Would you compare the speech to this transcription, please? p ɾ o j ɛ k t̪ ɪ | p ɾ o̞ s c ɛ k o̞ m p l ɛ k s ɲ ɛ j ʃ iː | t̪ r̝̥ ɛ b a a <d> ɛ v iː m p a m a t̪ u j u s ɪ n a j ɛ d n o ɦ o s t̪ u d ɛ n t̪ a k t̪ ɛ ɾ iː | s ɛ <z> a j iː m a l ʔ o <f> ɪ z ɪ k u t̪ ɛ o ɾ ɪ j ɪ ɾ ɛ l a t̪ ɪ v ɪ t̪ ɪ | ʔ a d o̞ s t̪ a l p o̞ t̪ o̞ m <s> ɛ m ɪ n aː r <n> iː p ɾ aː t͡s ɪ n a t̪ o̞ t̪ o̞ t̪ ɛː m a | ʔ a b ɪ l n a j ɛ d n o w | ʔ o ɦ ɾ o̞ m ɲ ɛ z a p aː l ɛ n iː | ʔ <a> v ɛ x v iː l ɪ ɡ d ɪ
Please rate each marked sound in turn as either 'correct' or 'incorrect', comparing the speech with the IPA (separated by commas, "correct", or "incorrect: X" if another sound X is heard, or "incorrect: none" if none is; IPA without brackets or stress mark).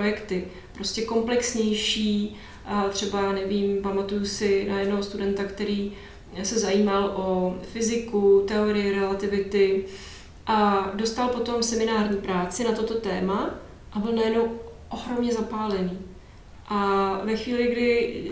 incorrect: n, correct, correct, correct, incorrect: ɲ, correct